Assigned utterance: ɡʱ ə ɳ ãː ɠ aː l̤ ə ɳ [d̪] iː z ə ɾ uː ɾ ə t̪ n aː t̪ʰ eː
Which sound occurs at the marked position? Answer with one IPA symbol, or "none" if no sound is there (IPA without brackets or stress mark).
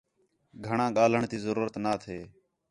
t̪